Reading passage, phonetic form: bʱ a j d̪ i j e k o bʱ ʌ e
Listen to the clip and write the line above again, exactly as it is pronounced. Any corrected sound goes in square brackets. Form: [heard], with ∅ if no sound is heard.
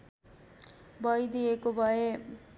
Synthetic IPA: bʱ [ʌ] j d̪ i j e k o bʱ ʌ e